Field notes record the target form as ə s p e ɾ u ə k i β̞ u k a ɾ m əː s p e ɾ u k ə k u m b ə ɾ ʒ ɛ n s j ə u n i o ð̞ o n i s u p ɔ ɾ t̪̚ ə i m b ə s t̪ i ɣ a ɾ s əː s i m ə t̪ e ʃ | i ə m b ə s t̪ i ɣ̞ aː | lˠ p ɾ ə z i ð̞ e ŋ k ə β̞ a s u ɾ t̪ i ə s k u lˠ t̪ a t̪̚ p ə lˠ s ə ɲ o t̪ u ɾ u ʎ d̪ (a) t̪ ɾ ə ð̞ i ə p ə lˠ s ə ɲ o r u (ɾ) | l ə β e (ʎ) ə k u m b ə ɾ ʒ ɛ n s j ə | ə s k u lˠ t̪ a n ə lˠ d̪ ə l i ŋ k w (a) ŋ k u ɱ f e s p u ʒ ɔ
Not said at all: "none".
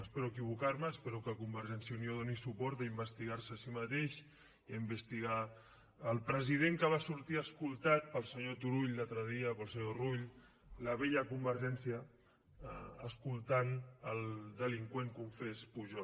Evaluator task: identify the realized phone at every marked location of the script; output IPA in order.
a, ʎ, ʎ, e

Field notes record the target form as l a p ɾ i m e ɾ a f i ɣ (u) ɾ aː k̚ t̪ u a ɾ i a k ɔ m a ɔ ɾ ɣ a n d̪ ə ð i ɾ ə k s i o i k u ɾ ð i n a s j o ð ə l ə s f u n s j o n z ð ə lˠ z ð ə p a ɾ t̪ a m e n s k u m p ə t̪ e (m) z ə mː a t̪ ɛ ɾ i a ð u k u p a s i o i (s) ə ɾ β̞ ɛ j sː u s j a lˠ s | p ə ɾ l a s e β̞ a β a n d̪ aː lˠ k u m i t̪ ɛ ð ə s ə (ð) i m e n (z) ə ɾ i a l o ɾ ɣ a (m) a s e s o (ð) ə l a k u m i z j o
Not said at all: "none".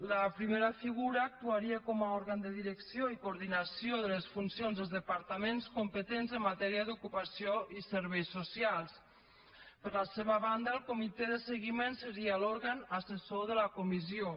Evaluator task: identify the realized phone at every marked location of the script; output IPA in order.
u, n, s, ɣ, s, n, ð

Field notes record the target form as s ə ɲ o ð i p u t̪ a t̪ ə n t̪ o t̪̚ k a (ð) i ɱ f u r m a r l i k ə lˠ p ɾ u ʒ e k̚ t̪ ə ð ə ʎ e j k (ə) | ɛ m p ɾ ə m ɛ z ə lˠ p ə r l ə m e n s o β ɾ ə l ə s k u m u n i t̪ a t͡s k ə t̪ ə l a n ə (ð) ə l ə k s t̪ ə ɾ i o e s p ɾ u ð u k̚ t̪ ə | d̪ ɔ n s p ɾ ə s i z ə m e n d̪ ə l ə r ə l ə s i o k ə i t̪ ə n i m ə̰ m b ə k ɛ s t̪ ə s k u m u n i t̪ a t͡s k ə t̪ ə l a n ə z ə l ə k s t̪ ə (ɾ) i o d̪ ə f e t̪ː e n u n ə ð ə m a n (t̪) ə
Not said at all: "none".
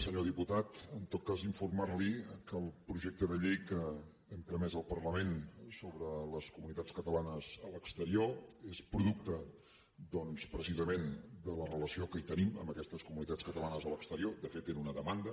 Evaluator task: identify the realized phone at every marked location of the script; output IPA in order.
z, ə, z, ɾ, d̪

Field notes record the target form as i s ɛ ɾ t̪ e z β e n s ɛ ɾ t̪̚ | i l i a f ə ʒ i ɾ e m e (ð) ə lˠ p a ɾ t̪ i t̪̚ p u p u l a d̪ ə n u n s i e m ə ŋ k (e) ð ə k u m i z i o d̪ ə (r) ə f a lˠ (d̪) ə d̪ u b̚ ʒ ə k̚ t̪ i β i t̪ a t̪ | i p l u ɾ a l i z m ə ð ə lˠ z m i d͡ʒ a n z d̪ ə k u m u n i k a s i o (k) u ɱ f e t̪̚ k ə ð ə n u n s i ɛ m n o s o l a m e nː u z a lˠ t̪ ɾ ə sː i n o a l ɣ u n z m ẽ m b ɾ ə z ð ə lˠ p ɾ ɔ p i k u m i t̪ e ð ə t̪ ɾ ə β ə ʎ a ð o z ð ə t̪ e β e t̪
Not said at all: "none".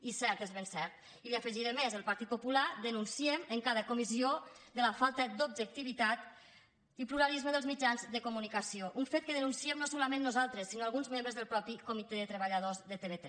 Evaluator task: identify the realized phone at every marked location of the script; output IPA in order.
z, a, l, t̪, ʔ

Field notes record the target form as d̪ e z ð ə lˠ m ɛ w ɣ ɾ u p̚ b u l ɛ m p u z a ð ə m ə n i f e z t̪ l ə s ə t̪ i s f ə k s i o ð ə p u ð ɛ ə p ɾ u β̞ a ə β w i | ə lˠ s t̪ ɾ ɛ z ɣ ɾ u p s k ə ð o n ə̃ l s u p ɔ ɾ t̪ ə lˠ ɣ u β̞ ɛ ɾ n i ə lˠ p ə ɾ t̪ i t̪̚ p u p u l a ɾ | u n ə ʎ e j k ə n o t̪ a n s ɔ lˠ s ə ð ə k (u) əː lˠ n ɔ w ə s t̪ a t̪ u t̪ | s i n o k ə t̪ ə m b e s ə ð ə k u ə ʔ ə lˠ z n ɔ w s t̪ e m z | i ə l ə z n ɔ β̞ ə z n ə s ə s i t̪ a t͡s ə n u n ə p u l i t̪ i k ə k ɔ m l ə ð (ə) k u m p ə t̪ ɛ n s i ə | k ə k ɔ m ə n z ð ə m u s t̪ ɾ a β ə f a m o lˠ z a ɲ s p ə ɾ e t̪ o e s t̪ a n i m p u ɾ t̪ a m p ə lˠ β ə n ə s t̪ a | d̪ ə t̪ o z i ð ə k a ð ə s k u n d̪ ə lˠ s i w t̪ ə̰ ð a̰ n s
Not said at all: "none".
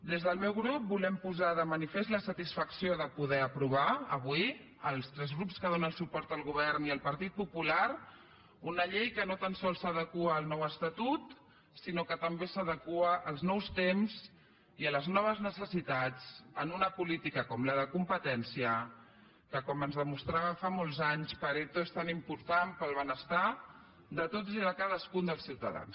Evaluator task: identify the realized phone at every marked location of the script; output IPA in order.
u, ə

